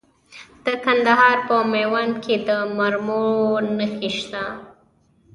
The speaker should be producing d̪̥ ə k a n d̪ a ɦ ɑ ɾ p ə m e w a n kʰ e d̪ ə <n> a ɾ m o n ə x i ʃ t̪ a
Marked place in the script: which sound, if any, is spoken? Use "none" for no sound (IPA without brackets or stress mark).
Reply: m